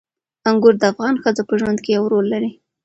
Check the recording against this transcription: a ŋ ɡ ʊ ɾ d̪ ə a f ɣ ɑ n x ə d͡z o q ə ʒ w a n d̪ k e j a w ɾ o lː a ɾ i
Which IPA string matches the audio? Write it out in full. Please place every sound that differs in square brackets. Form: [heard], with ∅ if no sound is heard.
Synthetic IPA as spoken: a ŋ ɡ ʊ ɾ d̪ ə a f ɣ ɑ n x ə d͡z o [p] ə ʒ w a n d̪ k e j a w ɾ o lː a ɾ i